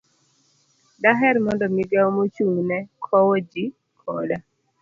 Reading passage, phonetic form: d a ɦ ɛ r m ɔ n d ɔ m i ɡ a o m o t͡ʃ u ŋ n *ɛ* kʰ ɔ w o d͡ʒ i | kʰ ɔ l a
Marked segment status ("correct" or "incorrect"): correct